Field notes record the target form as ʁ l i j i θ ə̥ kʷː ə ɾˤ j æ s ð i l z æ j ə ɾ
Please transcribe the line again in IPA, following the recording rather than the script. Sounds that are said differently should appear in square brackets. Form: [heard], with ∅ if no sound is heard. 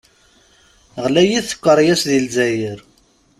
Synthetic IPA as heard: ʁ l [æ] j i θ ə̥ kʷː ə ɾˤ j æ s ð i l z æ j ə ɾ